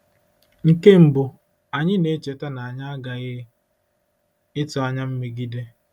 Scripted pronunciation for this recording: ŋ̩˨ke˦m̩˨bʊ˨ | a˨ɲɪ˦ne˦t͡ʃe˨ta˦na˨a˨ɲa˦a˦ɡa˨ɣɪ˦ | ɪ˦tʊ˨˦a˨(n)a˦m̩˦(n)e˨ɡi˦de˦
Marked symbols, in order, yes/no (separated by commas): no, no